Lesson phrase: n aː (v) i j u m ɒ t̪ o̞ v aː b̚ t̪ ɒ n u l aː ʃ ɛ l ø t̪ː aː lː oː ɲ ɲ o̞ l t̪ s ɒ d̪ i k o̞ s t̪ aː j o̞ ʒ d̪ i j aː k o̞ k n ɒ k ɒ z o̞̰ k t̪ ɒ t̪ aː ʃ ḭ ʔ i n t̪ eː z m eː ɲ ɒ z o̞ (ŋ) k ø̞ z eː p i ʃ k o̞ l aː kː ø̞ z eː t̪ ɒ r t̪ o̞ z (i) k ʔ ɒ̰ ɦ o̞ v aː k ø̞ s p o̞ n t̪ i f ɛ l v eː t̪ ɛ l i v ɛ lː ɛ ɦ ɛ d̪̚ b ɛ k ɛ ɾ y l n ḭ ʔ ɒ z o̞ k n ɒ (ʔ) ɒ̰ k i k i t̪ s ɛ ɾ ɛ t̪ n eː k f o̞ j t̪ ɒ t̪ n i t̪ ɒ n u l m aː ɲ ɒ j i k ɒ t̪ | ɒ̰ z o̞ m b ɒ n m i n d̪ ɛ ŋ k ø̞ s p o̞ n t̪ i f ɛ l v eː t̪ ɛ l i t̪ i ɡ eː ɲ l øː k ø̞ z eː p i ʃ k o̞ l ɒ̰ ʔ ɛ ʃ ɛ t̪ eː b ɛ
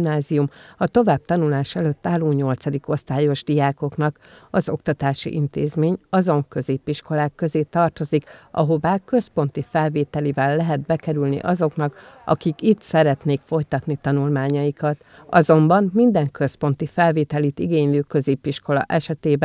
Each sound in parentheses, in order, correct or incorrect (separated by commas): incorrect, correct, correct, incorrect